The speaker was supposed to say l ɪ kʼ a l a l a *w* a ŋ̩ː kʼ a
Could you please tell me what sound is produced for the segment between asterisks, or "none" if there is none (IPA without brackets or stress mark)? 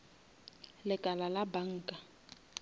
b